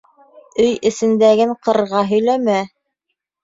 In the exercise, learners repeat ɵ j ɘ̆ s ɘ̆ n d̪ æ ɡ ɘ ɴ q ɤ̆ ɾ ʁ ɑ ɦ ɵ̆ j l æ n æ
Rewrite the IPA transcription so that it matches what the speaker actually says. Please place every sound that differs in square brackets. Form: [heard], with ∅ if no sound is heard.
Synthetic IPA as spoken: ɵ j ɘ̆ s ɘ̆ n d̪ æ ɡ ɘ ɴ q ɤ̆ ɾ ʁ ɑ ɦ ɵ̆ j l æ [m] æ

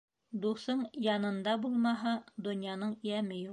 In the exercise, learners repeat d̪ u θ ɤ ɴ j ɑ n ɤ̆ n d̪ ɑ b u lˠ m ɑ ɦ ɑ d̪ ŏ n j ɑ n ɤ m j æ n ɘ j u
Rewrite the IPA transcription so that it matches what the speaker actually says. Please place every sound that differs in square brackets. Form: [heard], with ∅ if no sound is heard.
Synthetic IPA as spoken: d̪ u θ ɤ ɴ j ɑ n ɤ̆ n d̪ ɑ b u lˠ m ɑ ɦ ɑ d̪ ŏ n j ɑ n ɤ [ɴ] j æ [m] ɘ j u

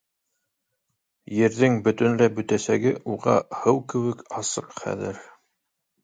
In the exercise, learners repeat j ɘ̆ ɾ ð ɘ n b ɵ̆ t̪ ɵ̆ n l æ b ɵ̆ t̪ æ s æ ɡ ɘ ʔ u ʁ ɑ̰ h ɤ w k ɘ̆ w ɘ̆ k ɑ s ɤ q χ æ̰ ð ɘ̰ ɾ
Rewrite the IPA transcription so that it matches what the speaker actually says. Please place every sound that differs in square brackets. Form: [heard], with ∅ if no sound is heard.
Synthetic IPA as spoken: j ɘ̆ ɾ ð ɘ [ŋ] b ɵ̆ t̪ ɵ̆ n l æ b ɵ̆ t̪ æ s æ ɡ ɘ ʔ u ʁ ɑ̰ h ɤ w k ɘ̆ w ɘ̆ k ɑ s ɤ q χ æ̰ ð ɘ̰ ɾ

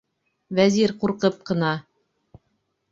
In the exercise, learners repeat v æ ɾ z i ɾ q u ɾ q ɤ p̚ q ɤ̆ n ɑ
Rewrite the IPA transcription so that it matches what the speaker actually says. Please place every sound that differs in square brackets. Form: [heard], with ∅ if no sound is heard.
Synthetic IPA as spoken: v æ [∅] z i ɾ q u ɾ q ɤ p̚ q ɤ̆ n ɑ

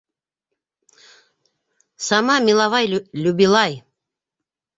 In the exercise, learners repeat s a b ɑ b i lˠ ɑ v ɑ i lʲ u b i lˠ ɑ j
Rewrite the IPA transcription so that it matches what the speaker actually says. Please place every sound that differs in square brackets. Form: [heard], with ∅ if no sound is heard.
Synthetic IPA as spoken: s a [m] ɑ [m] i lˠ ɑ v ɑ [j] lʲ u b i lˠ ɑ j

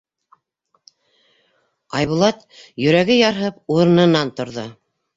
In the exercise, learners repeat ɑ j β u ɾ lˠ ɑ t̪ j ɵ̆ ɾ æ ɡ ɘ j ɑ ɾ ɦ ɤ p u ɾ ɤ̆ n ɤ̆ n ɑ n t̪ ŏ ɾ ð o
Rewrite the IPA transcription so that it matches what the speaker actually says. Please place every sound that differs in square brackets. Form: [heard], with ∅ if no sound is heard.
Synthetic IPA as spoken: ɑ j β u [∅] lˠ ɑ t̪ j ɵ̆ ɾ æ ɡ ɘ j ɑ ɾ ɦ ɤ p u ɾ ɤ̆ n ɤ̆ n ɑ n t̪ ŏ ɾ ð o

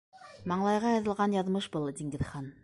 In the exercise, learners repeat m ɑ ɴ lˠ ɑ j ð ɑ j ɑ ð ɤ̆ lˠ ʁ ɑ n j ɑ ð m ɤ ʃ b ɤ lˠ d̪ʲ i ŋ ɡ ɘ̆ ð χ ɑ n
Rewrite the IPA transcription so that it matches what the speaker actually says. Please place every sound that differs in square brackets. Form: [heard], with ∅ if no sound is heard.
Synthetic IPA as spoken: m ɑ ɴ lˠ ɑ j [ʁ] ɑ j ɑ ð ɤ̆ lˠ ʁ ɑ n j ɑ ð m ɤ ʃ b ɤ lˠ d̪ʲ i ŋ ɡ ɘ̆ ð χ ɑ n

